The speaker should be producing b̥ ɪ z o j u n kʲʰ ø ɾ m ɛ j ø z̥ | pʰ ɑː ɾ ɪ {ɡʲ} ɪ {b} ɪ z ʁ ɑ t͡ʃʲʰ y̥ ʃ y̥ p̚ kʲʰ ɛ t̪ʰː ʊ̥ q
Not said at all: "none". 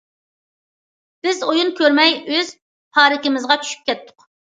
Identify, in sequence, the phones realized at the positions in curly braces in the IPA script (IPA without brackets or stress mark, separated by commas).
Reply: kʲ, m